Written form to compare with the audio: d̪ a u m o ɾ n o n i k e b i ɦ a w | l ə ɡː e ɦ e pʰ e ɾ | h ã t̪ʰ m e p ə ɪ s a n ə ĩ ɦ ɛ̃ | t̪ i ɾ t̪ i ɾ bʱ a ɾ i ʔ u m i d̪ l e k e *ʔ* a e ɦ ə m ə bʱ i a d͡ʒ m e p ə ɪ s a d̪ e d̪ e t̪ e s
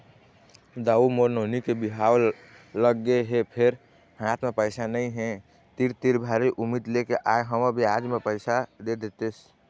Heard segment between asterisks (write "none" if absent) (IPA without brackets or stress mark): ʔ